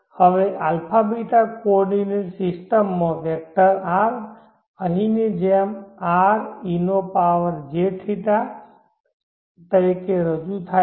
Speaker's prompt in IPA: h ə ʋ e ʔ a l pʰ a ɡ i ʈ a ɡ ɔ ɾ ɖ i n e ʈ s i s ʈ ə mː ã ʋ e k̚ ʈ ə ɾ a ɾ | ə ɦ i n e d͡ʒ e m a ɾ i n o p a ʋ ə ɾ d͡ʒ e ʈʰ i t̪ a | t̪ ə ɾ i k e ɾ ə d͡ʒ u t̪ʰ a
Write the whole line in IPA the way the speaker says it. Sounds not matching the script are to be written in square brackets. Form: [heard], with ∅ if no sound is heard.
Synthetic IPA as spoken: h ə ʋ e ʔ a l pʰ a [b] i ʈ a [k] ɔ ɾ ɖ i n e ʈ s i s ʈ ə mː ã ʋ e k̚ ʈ ə ɾ a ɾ | ə ɦ i n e d͡ʒ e m a ɾ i n o p a ʋ ə ɾ d͡ʒ e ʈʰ i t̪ a | t̪ ə ɾ i k e ɾ ə d͡ʒ u t̪ʰ a